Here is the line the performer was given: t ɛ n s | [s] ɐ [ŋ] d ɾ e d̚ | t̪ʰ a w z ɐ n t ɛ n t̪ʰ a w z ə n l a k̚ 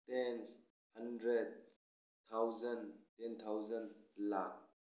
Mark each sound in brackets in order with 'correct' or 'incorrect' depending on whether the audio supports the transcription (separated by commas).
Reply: incorrect, incorrect